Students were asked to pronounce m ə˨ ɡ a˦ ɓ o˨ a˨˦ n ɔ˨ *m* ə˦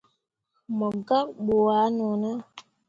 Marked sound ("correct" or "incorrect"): incorrect